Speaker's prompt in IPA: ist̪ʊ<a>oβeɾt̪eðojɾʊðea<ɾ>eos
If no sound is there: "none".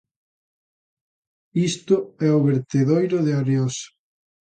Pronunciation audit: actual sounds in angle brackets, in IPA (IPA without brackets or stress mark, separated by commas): ɛ, ɾ